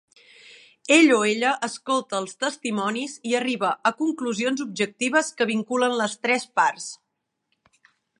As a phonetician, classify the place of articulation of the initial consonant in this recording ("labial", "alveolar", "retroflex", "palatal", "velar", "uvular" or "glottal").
palatal